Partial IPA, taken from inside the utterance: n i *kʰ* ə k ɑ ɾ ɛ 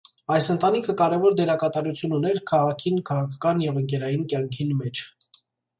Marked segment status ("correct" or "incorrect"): correct